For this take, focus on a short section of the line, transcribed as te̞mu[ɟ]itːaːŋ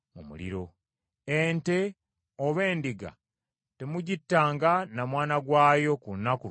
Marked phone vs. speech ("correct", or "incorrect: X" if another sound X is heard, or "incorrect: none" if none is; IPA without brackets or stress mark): correct